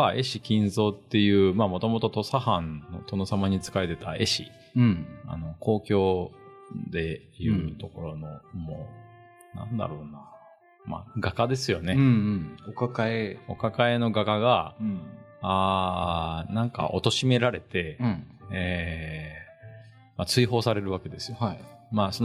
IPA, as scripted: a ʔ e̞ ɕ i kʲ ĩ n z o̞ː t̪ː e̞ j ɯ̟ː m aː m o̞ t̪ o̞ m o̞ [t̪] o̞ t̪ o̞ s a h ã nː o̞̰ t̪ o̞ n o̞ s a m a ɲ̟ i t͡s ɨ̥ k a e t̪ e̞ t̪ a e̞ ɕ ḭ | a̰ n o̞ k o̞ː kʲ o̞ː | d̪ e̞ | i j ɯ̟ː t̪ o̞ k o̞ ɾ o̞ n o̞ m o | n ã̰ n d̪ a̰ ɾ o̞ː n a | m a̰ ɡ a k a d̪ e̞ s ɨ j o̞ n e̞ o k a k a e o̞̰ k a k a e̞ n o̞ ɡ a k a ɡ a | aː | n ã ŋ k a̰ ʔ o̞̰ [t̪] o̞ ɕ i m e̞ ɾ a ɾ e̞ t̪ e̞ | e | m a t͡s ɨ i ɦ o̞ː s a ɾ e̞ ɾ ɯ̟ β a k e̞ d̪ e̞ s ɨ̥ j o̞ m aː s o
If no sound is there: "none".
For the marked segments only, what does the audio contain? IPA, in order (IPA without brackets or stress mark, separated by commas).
t̪, t̪